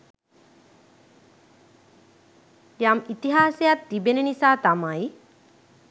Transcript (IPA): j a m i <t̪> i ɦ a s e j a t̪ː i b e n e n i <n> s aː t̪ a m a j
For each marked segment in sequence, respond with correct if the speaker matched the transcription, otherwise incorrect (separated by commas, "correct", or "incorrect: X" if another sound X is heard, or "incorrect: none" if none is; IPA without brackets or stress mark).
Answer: correct, incorrect: none